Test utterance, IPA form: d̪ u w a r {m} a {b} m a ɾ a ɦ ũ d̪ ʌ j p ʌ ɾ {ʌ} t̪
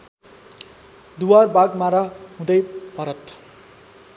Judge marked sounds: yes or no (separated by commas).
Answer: no, no, yes